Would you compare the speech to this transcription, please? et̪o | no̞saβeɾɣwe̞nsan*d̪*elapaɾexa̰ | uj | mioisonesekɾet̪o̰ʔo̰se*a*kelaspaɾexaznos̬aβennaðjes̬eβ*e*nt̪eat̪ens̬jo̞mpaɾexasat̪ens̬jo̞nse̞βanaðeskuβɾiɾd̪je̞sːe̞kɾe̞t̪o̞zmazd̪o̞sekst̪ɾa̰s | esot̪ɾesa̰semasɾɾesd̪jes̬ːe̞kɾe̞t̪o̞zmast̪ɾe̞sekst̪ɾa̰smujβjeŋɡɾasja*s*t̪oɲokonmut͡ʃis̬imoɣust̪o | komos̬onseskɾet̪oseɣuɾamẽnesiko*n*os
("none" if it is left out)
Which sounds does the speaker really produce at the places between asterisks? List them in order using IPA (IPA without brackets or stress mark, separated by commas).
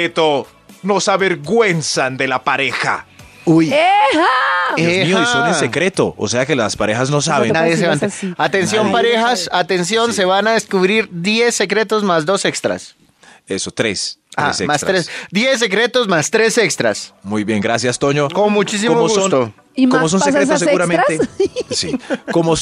d̪, a, a, s, m